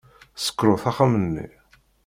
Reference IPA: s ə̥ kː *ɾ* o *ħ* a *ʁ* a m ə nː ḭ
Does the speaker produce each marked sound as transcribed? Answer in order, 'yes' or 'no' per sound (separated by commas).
yes, no, no